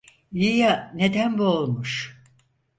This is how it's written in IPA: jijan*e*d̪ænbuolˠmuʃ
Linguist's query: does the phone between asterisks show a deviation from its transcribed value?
no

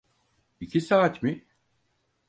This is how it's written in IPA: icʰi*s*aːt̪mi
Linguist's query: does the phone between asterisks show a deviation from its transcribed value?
no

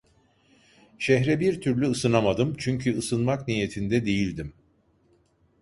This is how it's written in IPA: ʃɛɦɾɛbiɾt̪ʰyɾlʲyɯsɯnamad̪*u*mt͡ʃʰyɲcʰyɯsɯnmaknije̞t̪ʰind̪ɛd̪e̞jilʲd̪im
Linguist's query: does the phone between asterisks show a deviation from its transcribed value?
yes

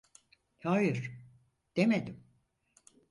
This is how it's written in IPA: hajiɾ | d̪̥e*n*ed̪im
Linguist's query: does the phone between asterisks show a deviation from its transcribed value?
yes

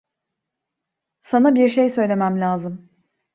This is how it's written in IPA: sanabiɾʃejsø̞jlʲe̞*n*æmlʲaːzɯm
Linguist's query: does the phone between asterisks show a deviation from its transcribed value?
yes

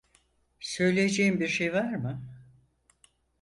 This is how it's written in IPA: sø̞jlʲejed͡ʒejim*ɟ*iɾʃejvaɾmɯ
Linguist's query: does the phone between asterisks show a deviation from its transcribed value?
yes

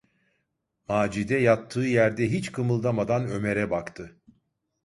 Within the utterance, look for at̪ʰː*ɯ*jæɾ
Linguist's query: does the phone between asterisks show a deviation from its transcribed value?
yes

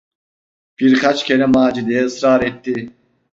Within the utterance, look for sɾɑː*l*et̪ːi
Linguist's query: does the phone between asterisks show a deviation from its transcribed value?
yes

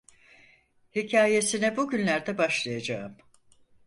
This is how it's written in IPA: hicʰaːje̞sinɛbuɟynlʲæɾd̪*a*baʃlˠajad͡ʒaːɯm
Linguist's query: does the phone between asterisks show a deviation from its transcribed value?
yes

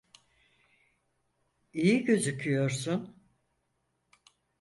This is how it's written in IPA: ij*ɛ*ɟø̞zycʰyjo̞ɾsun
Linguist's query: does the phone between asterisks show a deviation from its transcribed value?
yes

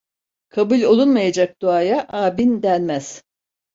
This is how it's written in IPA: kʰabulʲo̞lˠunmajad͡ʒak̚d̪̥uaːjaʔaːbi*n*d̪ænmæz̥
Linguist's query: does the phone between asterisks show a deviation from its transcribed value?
no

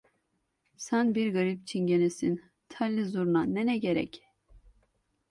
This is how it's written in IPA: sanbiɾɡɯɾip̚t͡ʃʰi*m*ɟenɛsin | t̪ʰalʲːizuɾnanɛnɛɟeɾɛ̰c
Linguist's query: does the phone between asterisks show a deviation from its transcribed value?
yes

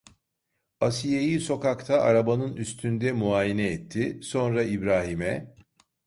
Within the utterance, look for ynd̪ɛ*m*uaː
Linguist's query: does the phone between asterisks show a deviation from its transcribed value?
no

